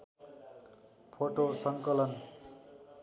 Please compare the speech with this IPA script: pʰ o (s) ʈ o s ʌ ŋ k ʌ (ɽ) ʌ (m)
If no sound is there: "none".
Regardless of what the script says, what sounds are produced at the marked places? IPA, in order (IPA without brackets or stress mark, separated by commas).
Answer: none, l, n